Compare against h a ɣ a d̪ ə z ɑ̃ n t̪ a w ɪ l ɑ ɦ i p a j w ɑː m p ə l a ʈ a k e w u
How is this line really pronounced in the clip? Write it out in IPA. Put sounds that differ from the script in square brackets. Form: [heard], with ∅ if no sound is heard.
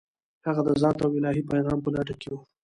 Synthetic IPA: h a ɣ a d̪ ə z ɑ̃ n t̪ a w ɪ l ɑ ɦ i p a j [ɣ] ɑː m p ə l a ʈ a k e w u